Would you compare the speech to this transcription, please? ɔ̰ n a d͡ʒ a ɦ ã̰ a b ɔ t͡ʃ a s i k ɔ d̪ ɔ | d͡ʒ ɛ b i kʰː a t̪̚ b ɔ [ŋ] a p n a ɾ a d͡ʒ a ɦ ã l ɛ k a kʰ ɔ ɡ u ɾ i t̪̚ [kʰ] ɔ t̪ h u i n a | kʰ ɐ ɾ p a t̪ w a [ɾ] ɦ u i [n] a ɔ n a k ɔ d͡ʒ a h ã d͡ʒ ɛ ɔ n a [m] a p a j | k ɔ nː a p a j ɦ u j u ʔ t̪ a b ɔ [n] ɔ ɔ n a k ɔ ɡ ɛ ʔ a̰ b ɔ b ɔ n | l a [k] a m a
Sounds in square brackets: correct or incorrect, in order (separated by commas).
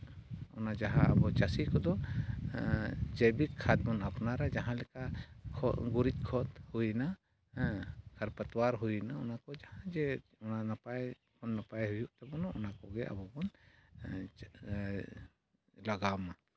incorrect, correct, correct, correct, incorrect, correct, incorrect